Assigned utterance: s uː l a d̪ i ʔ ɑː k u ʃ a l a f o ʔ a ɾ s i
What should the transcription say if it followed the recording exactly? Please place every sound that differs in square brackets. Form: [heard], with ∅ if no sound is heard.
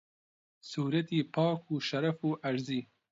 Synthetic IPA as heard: s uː [ɾ] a [t̪] i [p] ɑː k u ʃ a [ɾ] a f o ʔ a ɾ [z] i